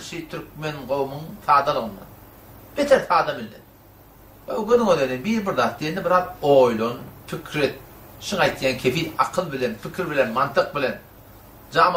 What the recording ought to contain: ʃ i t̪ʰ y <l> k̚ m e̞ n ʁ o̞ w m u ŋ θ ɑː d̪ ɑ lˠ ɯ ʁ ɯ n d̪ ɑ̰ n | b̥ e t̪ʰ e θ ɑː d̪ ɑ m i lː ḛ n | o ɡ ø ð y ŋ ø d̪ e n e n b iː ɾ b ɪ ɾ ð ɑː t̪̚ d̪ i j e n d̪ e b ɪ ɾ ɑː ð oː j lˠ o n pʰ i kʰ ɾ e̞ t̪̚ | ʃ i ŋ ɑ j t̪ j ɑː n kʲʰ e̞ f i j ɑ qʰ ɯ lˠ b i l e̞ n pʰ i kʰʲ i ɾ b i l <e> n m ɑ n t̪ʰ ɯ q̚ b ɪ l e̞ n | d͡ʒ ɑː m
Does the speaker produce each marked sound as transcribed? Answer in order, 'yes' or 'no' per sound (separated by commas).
no, yes